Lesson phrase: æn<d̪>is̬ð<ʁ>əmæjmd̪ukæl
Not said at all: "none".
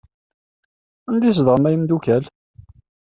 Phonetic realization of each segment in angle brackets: d̪, ʁ

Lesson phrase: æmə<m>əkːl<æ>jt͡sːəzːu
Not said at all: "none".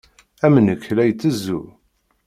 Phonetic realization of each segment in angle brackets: n, æ

